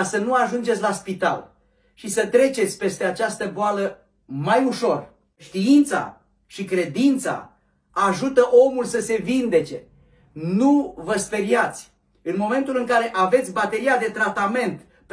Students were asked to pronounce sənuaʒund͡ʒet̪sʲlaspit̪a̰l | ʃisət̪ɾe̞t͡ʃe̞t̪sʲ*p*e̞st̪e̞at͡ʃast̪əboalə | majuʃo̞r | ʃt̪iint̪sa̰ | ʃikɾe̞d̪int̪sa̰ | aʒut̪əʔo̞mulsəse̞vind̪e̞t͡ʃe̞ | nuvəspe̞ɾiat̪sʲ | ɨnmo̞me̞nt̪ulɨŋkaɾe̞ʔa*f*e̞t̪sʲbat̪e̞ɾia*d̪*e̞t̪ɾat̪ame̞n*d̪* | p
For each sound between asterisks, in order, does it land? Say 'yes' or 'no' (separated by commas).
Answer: yes, no, yes, no